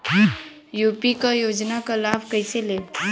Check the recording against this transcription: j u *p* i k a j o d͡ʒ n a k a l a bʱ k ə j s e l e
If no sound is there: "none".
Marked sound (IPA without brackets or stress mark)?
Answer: p